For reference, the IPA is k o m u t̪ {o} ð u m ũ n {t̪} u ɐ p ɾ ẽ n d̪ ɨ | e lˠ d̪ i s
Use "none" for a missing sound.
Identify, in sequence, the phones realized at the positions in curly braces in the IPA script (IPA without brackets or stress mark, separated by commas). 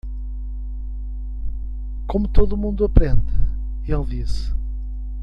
o, d̪